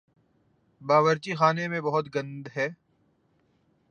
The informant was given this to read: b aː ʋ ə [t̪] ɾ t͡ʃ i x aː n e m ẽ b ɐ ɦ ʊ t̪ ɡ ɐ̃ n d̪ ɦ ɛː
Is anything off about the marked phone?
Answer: yes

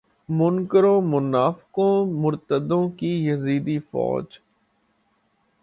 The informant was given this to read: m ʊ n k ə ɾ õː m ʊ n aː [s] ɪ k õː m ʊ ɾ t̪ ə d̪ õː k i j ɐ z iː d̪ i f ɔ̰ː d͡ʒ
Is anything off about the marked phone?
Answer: yes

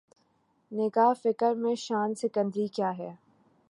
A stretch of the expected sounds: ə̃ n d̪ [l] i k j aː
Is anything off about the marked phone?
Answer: yes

